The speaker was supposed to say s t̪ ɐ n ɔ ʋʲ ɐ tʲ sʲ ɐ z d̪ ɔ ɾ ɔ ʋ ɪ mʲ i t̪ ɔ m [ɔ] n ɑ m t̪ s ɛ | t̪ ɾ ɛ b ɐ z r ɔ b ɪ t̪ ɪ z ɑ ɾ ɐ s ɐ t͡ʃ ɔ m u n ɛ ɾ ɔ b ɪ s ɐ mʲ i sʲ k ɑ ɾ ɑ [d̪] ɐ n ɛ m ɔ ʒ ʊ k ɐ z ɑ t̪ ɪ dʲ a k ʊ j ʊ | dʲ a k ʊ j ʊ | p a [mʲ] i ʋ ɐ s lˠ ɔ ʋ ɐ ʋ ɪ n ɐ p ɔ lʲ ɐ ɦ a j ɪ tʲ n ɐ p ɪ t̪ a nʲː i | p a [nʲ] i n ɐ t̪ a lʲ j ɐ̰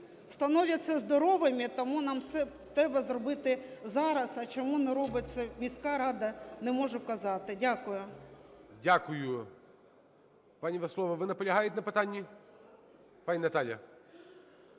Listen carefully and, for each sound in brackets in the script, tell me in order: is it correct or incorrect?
incorrect: u, correct, incorrect: nʲ, correct

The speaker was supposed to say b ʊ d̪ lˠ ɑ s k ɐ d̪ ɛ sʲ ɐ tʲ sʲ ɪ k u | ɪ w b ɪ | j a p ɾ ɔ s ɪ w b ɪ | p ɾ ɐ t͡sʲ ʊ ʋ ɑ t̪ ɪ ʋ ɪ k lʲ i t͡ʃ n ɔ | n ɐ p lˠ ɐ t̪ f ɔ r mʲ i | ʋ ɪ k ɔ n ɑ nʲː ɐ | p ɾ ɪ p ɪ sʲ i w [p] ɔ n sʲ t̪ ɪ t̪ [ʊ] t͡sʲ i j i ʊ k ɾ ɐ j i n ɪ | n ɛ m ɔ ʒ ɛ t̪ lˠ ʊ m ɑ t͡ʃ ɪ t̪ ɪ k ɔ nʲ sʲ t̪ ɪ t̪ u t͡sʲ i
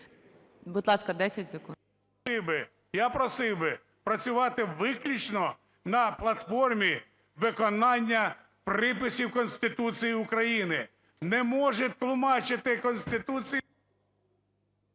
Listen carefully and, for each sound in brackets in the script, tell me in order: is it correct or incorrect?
incorrect: k, incorrect: u

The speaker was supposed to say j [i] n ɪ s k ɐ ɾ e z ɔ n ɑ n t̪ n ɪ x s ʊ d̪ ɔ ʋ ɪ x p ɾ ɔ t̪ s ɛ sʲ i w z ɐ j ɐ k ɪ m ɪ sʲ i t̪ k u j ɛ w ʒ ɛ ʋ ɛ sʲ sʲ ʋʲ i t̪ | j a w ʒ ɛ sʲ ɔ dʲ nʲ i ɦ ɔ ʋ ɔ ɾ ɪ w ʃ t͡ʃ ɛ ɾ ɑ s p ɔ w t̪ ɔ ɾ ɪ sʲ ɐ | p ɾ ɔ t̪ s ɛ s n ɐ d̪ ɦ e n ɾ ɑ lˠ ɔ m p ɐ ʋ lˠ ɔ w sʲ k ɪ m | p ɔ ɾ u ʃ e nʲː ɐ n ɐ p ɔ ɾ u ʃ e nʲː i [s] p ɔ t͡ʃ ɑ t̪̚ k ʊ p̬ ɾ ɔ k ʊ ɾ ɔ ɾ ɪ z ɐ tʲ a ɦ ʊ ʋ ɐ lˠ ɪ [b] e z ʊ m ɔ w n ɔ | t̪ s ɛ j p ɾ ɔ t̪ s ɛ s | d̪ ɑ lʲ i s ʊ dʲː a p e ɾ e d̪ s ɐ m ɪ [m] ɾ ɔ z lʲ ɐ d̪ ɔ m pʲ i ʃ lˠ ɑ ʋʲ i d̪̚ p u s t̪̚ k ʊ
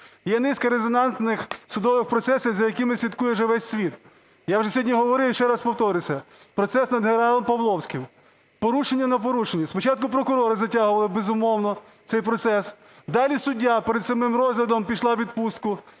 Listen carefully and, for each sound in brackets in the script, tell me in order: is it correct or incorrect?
incorrect: ɛ, correct, correct, correct

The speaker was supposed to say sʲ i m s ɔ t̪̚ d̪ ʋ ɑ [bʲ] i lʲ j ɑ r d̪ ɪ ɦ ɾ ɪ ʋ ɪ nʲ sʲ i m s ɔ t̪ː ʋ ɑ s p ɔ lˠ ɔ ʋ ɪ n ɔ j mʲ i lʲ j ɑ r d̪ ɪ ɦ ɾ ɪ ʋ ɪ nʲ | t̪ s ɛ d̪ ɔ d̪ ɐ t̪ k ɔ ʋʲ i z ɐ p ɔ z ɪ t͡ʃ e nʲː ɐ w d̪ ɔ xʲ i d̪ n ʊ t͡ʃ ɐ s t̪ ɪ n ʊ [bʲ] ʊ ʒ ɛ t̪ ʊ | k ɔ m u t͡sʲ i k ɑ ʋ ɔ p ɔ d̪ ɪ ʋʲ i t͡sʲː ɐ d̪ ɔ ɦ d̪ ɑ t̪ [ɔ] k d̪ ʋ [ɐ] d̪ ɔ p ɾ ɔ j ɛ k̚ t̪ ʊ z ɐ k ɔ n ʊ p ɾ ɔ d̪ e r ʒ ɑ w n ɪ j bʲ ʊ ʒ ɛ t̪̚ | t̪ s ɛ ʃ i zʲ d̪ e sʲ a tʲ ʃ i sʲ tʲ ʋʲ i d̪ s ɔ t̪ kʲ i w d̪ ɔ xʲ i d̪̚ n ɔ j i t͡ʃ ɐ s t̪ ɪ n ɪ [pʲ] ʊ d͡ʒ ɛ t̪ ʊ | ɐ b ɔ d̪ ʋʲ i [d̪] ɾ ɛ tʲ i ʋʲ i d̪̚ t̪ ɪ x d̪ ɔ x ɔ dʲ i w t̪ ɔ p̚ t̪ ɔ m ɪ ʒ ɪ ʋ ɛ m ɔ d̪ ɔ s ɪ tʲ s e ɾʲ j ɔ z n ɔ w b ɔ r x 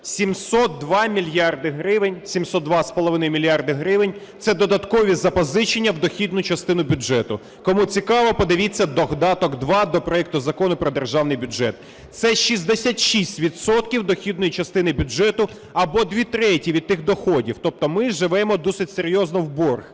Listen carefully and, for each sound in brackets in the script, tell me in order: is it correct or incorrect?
incorrect: mʲ, correct, correct, incorrect: ɑ, incorrect: bʲ, incorrect: t̪

